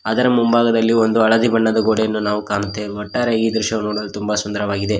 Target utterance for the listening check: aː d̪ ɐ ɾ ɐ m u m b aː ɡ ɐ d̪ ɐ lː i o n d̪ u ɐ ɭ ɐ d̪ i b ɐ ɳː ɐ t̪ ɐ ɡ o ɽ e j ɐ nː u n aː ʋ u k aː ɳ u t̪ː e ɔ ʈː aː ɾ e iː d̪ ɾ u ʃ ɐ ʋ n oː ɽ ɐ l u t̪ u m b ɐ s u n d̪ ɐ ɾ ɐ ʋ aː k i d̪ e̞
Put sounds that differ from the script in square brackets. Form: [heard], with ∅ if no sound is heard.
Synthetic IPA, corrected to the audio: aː d̪ ɐ ɾ ɐ m u m b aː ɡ ɐ d̪ ɐ lː i o n d̪ u ɐ ɭ ɐ d̪ i b ɐ ɳː ɐ [d̪] ɐ ɡ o ɽ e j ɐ nː u n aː ʋ u k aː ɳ u t̪ː e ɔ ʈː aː ɾ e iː d̪ ɾ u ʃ ɐ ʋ n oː ɽ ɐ l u t̪ u m b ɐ s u n d̪ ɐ ɾ ɐ ʋ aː [ɡ] i d̪ e̞